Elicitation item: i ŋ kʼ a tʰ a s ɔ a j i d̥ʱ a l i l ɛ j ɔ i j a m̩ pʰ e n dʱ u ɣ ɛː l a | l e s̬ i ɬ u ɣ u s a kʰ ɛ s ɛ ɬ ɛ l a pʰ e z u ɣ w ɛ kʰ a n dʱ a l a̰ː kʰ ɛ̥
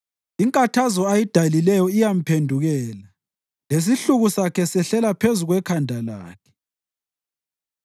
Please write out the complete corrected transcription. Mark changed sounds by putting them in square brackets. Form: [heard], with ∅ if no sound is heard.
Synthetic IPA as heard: i ŋ kʼ a tʰ a [z] ɔ a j i d̥ʱ a l i l ɛ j ɔ i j a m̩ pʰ e n dʱ u ɣ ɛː l a | l e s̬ i ɬ u ɣ u s a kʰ ɛ s ɛ ɬ ɛ l a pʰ e z u ɣ w ɛ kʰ a n dʱ a l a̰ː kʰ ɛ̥